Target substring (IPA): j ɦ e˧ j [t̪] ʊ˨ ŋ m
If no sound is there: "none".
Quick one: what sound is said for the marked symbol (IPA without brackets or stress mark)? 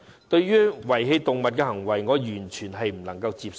t̪